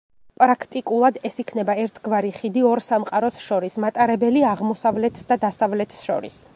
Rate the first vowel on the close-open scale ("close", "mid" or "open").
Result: open